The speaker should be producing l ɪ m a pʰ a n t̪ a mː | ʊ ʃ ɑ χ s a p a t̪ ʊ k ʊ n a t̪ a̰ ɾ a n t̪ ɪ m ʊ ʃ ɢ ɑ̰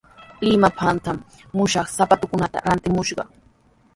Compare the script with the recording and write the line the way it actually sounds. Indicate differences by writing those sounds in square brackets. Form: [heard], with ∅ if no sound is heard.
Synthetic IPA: l ɪ m a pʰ a n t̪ a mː | ʊ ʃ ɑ χ s a p a t̪ ʊ k ʊ n a t̪ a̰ ɾ a n t̪ ɪ m ʊ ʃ ɢ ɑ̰